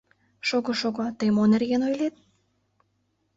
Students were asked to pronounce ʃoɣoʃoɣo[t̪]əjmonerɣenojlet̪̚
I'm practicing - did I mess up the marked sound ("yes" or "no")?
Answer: no